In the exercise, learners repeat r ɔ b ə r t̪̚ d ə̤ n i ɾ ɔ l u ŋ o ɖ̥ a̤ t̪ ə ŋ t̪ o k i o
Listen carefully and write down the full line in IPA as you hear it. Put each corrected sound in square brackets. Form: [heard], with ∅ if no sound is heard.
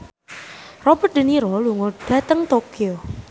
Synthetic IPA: r ɔ b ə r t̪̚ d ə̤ n i ɾ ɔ l u ŋ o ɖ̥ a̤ t̪ ə ŋ t̪ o k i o